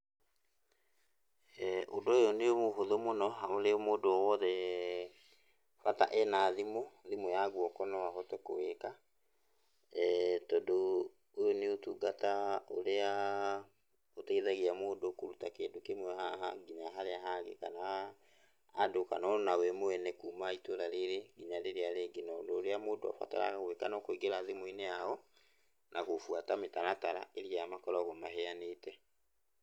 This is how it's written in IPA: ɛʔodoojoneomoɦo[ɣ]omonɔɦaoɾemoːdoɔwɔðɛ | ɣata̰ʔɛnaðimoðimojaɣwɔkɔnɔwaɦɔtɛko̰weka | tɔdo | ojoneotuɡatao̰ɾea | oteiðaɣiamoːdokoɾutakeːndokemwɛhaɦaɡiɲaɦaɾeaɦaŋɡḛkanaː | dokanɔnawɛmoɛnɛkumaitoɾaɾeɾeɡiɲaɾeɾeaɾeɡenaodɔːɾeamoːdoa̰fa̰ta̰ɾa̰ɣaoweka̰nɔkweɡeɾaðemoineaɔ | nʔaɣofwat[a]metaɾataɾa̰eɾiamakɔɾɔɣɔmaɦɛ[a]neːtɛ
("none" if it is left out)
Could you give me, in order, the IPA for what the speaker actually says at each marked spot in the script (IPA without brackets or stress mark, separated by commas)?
ð, a, a